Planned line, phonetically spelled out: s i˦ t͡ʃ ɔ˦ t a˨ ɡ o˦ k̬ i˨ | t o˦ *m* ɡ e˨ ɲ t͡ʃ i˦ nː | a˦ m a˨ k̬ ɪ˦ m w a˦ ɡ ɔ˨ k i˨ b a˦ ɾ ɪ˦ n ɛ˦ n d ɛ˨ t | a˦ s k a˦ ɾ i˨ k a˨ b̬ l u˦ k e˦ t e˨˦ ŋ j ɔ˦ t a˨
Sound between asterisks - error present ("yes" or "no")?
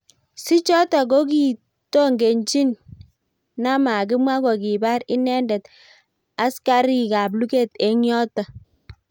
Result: yes